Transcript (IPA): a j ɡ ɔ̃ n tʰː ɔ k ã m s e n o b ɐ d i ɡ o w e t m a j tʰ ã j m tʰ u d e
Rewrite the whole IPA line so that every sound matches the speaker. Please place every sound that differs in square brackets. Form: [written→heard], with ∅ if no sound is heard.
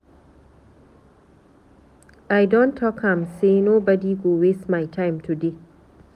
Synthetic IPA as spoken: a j [ɡ→d] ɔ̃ n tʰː ɔ k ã m s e n o b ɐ d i ɡ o w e [t→s] m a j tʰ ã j m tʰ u d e